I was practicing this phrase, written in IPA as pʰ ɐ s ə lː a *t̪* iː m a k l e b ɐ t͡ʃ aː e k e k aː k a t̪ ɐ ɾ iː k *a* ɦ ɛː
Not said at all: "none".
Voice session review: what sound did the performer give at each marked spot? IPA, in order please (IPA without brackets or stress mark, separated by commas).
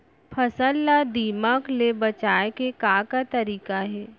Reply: d̪, a